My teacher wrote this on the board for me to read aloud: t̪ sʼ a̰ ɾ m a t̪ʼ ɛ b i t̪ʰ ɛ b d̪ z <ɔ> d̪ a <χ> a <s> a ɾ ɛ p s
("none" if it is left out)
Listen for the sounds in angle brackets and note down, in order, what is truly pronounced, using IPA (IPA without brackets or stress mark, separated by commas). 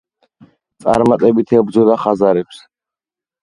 ɔ, χ, z